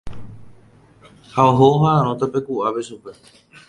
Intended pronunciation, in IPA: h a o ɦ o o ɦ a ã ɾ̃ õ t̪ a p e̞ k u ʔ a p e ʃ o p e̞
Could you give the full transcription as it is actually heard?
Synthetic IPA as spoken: h a o ɦ o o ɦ a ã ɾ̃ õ t̪ a p e̞ k u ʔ a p e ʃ u p e̞

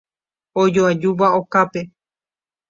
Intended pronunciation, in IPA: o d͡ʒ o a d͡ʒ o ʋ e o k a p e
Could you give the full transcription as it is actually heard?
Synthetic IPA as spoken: o d͡ʒ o a d͡ʒ u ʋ a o k a p e

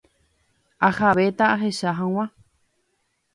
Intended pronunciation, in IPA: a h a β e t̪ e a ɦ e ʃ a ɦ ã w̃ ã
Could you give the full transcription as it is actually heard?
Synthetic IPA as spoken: a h a β e t̪ a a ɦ e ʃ a ɦ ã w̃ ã

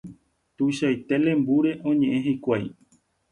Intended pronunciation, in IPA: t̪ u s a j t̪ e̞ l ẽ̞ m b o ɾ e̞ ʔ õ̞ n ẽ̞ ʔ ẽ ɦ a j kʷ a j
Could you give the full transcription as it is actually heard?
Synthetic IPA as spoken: t̪ u ʃ a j t̪ e̞ l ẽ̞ m b u ɾ e̞ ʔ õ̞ ɲ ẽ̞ ʔ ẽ ɦ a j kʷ a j

